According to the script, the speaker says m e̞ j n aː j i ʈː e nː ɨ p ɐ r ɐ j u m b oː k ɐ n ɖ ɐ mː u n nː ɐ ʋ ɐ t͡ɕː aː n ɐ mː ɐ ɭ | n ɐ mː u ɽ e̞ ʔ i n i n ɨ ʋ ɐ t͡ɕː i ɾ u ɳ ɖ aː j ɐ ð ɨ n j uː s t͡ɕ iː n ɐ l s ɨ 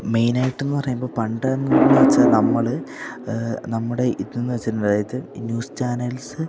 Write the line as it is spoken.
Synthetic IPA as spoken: m e̞ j n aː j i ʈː e nː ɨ p ɐ r ɐ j u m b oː p ɐ ɳ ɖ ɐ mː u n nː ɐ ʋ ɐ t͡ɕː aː n ɐ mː ɐ ɭ | n ɐ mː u ɽ e̞ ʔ i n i nː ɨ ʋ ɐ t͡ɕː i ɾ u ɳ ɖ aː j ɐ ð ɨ n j uː s t͡ɕ aː n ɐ l s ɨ